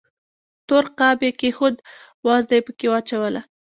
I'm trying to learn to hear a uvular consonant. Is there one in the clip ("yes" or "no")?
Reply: yes